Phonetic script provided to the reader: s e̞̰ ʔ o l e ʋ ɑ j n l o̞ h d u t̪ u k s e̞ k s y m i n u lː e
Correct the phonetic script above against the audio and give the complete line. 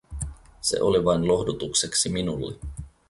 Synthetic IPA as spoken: s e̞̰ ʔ o l i ʋ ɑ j n l o̞ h d u t̪ u k s e̞ k s i m i n u lː e